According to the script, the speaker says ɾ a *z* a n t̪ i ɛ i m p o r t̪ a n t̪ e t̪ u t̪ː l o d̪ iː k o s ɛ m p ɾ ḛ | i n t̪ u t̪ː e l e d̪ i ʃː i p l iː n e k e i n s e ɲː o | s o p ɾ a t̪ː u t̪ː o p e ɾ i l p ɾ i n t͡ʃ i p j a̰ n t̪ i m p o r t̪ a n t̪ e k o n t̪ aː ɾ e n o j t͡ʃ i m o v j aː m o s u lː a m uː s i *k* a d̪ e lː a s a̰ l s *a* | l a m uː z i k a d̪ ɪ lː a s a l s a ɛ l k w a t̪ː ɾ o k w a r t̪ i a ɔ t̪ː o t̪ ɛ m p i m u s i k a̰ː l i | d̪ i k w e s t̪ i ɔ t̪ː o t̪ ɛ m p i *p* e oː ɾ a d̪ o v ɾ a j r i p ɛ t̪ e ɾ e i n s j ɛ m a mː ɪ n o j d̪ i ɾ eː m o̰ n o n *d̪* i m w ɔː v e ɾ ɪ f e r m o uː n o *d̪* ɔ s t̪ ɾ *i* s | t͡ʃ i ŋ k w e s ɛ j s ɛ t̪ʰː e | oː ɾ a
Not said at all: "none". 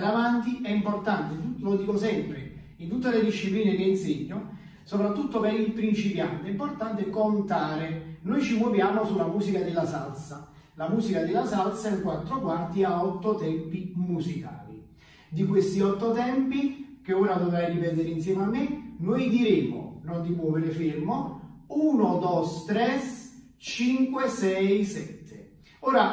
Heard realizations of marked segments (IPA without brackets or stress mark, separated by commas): v, k, a, k, d̪, d̪, ɛ